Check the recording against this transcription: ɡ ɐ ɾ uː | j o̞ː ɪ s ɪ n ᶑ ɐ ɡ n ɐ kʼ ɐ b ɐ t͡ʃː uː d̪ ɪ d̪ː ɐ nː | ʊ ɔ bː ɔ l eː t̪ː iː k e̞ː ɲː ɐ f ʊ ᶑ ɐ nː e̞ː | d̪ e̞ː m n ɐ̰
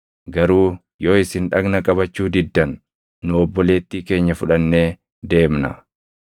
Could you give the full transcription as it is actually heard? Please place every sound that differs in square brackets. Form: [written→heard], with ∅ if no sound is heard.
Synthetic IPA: ɡ ɐ ɾ uː | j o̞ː ɪ s ɪ n ᶑ ɐ ɡ n ɐ kʼ ɐ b ɐ t͡ʃː uː d̪ ɪ d̪ː ɐ nː | ʊ ɔ bː ɔ l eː t̪ː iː k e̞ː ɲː ɐ f ʊ ᶑ ɐ nː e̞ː | d̪ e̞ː m n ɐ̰

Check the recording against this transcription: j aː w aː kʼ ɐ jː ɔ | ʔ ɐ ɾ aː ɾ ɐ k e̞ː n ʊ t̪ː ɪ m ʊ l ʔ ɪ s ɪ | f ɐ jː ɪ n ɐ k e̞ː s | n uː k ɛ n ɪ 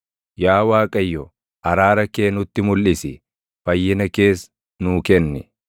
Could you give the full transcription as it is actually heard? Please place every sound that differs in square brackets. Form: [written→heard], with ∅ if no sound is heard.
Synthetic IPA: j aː w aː kʼ ɐ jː ɔ | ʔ ɐ ɾ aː ɾ ɐ k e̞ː n ʊ t̪ː ɪ m ʊ l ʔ ɪ s ɪ | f ɐ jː ɪ n ɐ k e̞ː s | n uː k ɛ [n→nː] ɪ

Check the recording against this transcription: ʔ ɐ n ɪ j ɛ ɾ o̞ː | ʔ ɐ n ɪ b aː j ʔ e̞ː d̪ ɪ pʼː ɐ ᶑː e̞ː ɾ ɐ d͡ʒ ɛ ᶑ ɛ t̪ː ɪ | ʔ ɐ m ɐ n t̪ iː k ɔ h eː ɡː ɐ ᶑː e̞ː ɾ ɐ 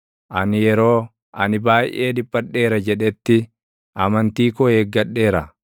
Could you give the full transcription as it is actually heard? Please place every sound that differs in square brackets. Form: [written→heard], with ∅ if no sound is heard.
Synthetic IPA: ʔ ɐ n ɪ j ɛ ɾ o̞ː | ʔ ɐ n ɪ b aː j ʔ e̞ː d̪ ɪ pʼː ɐ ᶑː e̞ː ɾ ɐ d͡ʒ ɛ ᶑ ɛ t̪ː ɪ | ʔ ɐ m ɐ n t̪ iː k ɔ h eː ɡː ɐ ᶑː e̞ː ɾ ɐ

